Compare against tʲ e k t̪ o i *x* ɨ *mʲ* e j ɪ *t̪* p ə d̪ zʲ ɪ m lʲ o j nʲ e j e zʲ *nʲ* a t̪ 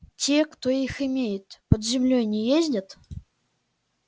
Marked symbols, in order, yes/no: yes, yes, yes, no

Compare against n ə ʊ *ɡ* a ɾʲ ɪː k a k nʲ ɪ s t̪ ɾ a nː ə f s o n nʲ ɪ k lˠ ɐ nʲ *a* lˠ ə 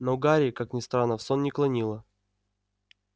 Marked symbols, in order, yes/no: yes, no

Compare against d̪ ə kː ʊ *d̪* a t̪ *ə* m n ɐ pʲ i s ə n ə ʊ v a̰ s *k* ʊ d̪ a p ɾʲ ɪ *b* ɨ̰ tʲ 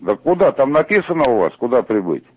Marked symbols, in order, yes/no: yes, no, yes, yes

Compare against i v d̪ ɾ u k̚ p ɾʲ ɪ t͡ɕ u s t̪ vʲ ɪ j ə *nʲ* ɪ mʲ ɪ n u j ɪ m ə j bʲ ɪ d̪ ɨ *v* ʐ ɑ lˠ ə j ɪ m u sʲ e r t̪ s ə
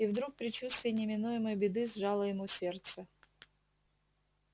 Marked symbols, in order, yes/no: yes, no

